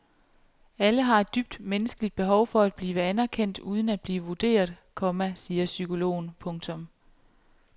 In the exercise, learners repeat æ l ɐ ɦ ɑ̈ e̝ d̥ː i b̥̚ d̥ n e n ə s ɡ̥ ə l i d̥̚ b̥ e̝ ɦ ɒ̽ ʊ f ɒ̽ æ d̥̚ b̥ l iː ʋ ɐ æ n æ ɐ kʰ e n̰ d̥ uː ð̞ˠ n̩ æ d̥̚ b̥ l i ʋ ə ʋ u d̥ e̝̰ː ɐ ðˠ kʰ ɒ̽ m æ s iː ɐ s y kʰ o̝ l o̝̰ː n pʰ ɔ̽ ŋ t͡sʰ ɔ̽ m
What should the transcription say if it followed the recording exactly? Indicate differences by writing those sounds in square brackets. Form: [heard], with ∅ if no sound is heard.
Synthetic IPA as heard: æ l [ə] ɦ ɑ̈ e̝ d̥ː [y] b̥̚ d̥ [m] e n ə s ɡ̥ ə l i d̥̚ b̥ e̝ ɦ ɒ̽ ʊ f ɒ̽ æ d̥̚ b̥ l iː ʋ [ə] æ n æ ɐ kʰ e n̰ d̥ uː ð̞ˠ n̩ æ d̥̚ b̥ l [iː] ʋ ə ʋ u d̥ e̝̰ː ɐ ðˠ kʰ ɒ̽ m æ s iː ɐ s y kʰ o̝ l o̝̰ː n pʰ ɔ̽ ŋ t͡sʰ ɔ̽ m